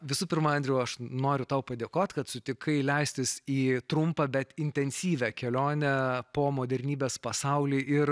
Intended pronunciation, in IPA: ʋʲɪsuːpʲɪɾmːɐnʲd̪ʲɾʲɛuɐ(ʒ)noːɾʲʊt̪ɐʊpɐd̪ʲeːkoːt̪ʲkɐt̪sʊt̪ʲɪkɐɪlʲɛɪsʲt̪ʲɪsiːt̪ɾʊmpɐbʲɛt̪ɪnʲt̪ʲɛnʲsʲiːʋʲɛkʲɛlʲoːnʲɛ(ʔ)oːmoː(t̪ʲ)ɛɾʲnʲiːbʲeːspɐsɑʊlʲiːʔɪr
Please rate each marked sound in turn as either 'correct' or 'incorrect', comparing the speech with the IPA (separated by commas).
incorrect, incorrect, incorrect